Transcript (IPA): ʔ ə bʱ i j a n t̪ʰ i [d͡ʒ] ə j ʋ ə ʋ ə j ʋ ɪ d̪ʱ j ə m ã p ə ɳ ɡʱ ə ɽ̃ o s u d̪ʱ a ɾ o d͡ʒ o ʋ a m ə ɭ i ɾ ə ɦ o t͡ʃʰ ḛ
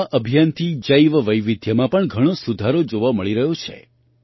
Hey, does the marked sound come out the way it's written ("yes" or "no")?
yes